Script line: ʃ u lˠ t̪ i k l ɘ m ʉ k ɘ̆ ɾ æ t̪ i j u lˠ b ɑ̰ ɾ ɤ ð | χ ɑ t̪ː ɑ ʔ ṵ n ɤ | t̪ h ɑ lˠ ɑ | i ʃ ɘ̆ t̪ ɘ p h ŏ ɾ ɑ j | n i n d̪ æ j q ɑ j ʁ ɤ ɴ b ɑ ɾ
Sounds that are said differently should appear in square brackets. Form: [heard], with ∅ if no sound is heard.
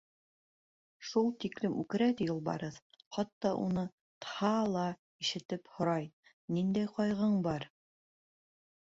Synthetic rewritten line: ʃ u lˠ t̪ i k l ɘ m ʉ k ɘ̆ ɾ æ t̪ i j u lˠ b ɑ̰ ɾ ɤ ð | χ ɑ t̪ː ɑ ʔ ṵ n ɤ | t̪ h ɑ lˠ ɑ | i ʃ ɘ̆ t̪ ɘ p h ŏ ɾ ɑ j | n i n d̪ æ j q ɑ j ʁ ɤ ɴ b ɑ ɾ